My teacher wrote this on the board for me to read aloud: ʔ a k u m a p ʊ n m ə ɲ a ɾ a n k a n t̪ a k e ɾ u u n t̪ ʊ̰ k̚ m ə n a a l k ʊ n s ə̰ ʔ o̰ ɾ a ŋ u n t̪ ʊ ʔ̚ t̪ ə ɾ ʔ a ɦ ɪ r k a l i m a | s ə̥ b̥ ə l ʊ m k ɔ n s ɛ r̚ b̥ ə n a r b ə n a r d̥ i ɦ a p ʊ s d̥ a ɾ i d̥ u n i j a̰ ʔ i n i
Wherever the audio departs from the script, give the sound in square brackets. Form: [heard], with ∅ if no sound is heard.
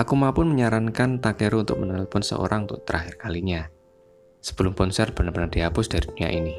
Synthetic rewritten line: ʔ a k u m a p ʊ n m ə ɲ a ɾ a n k a n t̪ a k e ɾ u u n t̪ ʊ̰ k̚ m ə n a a l [p] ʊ n s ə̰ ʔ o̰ ɾ a ŋ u n t̪ ʊ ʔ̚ t̪ ə ɾ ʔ a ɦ ɪ r k a l i [ɲ] a | s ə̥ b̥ ə l ʊ m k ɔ n s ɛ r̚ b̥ ə n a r b ə n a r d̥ i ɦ a p ʊ s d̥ a ɾ i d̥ u n i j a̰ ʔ i n i